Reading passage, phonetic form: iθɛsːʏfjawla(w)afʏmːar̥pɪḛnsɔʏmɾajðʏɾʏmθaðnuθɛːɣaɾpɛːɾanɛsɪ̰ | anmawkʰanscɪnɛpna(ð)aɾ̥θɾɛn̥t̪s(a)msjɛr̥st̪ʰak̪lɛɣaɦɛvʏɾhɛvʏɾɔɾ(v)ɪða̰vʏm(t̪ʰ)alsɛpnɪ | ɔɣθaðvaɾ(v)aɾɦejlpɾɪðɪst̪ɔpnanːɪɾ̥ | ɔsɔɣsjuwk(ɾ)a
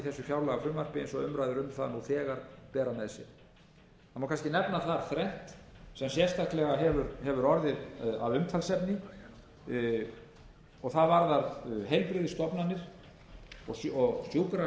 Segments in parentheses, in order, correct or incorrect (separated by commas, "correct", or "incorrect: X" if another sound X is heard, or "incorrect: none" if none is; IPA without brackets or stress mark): incorrect: ɣ, incorrect: θ, incorrect: ɛ, incorrect: ð, correct, incorrect: ð, correct